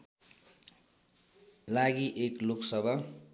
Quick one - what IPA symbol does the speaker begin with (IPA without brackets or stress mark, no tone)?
l